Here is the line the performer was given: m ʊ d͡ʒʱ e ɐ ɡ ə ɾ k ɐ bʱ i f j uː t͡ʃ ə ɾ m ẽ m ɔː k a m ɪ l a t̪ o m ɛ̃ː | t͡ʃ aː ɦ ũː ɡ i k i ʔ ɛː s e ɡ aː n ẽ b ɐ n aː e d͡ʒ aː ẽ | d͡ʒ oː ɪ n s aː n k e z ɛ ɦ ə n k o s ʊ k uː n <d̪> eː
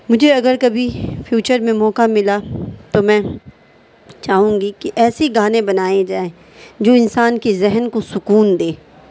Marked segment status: correct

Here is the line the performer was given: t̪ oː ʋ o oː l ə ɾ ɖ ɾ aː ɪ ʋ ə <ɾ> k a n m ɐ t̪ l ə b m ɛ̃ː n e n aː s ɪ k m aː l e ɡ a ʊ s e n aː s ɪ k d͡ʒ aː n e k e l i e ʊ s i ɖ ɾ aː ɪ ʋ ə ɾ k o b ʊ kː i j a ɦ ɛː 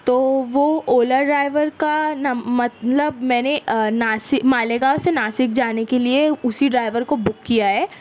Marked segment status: correct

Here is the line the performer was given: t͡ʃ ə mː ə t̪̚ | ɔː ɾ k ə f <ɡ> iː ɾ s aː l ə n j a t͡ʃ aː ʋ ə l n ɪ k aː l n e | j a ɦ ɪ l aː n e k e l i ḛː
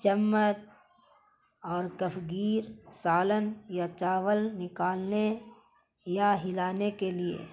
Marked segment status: correct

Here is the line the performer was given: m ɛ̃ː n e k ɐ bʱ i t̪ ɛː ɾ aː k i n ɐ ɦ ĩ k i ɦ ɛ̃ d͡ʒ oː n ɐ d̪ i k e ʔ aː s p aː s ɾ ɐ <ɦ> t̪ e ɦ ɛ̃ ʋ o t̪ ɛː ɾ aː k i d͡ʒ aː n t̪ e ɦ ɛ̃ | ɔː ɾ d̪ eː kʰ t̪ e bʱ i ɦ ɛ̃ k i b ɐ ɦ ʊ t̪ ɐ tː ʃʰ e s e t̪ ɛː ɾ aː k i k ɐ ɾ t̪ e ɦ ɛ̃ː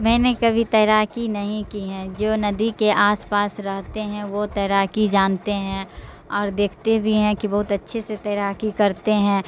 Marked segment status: correct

